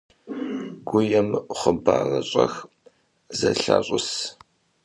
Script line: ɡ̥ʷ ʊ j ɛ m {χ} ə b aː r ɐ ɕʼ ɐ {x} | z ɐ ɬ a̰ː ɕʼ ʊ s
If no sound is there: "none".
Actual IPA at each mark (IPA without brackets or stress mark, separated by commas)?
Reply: χ, x